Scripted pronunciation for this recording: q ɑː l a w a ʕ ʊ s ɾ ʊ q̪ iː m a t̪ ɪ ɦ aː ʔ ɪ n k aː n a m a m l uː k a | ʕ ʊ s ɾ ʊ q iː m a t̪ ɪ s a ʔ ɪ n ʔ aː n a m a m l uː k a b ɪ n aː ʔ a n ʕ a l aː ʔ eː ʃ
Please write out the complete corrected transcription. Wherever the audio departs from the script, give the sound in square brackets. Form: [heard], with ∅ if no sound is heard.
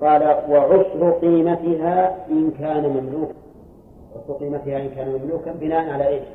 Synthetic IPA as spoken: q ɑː l a w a ʕ ʊ s ɾ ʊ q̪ iː m a t̪ ɪ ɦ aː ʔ ɪ n k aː n a m a m l uː k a | ʕ ʊ s ɾ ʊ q iː m a t̪ ɪ [h] a ʔ ɪ n [k] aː n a m a m l uː k a b ɪ n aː ʔ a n ʕ a l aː ʔ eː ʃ